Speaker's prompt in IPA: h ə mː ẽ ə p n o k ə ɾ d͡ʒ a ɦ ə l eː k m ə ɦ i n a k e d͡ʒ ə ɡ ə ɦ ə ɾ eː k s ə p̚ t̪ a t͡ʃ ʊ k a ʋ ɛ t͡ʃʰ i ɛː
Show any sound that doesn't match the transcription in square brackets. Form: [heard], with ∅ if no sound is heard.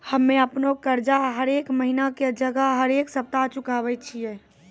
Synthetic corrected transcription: h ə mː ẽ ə p n o k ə ɾ d͡ʒ a ɦ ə [ɾ] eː k m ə ɦ i n a k e d͡ʒ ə ɡ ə ɦ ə ɾ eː k s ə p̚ t̪ a t͡ʃ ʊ k a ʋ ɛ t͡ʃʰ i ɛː